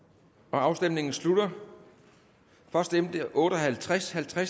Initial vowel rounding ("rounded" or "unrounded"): rounded